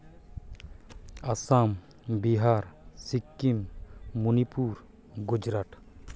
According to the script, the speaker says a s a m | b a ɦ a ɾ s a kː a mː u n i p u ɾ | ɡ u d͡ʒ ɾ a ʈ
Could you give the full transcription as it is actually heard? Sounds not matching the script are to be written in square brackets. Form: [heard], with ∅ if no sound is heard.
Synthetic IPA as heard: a s a m | b [i] ɦ a ɾ s [i] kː [i] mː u n i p u ɾ | ɡ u d͡ʒ ɾ a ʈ